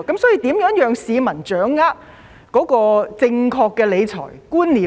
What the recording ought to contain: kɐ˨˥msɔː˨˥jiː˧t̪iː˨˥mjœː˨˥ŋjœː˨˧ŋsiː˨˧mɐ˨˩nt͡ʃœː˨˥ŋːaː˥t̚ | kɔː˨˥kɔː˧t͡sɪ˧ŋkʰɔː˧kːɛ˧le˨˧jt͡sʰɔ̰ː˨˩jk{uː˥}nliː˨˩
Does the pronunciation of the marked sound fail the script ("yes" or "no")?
no